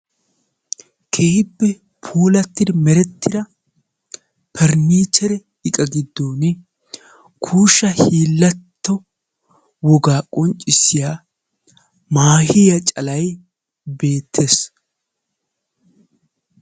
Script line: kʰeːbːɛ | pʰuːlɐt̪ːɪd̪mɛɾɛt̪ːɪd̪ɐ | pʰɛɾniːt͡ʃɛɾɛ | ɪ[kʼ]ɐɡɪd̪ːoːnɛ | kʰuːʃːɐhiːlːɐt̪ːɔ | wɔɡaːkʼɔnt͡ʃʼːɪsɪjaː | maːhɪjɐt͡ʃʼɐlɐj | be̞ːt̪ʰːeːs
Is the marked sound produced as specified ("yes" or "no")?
yes